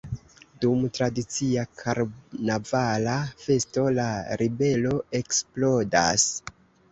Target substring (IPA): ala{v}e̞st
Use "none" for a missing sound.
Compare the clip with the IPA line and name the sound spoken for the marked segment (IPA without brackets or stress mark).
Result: f